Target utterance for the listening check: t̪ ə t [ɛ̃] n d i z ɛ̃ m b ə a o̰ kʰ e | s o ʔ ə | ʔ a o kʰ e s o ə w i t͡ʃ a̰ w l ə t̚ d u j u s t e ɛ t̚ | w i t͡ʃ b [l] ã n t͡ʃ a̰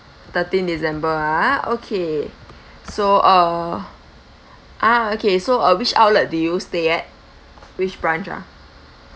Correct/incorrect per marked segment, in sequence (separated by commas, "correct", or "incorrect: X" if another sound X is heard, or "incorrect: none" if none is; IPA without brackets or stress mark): incorrect: ĩ, incorrect: ɹ